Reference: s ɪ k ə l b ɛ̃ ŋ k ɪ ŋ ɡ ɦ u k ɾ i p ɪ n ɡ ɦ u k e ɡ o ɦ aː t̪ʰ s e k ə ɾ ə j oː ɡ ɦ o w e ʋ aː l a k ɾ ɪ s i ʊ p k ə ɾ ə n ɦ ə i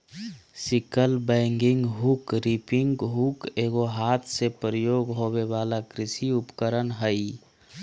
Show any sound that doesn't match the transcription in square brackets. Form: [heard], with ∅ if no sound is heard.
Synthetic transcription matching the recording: s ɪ k ə l b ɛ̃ ŋ [ɡ] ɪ ŋ ɡ ɦ u k ɾ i p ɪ [ŋ] ɡ ɦ u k e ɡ o ɦ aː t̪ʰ s e [p] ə ɾ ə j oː ɡ ɦ o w e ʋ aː l a k ɾ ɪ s i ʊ p k ə ɾ ə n ɦ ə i